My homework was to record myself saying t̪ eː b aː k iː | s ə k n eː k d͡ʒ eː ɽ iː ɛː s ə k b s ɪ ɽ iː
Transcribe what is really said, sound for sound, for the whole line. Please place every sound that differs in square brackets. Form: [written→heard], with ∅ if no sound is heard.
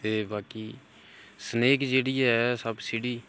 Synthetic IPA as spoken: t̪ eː b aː k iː | s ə [k→∅] n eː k d͡ʒ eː ɽ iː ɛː s ə [k→∅] b s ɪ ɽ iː